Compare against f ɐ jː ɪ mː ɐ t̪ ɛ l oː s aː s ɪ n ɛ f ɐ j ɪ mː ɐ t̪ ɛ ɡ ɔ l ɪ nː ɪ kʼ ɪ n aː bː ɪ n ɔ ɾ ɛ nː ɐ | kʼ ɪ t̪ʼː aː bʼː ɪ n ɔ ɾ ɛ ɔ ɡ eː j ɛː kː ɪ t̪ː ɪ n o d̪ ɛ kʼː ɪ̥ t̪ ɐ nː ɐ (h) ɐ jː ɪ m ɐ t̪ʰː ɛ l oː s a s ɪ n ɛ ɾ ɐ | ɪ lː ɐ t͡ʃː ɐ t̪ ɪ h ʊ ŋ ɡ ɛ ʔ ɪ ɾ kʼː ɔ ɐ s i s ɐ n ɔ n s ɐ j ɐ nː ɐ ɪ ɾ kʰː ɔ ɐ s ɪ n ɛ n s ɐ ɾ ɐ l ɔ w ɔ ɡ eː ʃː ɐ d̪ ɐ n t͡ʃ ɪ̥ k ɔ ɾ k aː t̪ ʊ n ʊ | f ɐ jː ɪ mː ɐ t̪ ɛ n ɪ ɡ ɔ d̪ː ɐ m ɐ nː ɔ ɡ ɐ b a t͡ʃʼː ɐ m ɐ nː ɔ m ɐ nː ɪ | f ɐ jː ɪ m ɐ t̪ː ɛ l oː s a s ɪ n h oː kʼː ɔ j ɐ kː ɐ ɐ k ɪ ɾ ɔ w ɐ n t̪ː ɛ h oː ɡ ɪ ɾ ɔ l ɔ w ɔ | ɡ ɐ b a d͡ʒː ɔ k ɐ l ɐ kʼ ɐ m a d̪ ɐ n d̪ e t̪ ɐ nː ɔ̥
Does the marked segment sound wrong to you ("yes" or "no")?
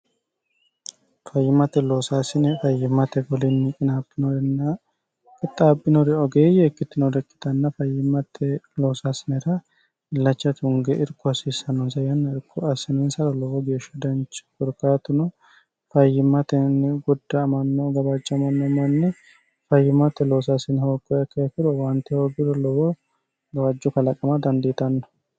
yes